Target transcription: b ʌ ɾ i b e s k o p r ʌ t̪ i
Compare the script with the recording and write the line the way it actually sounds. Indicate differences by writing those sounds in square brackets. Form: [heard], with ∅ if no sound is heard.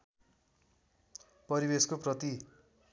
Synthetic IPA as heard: [p] ʌ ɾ i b e s k o p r ʌ t̪ i